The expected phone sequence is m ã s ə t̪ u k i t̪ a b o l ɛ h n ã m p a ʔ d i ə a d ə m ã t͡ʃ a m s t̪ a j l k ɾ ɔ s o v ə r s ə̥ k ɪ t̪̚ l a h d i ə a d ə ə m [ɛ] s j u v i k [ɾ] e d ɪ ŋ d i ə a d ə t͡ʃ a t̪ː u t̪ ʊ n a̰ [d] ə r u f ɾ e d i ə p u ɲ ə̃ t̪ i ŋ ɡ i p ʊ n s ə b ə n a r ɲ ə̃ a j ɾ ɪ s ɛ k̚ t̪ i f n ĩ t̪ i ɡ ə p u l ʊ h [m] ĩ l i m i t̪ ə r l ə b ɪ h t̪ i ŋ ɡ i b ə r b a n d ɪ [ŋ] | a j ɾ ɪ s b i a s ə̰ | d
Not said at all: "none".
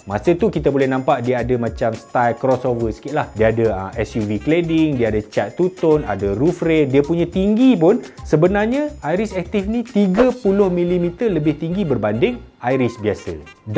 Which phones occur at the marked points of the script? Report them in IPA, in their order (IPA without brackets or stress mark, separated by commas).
ɛ, l, d, m, ŋ